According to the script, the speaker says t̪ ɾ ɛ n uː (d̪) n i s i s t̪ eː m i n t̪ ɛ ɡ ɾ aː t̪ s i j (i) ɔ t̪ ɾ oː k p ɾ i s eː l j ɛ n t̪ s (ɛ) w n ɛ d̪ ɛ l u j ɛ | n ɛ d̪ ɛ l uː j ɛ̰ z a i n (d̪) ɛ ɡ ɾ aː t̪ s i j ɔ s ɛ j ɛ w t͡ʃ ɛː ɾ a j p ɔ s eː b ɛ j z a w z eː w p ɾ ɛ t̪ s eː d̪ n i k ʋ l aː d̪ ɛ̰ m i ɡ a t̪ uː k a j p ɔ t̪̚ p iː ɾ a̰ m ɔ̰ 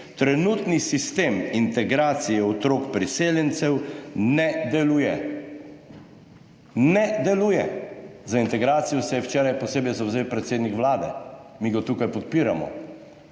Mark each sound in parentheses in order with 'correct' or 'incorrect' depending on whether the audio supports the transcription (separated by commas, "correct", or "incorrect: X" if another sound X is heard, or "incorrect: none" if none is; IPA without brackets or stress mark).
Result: incorrect: t̪, incorrect: ɛ, correct, incorrect: t̪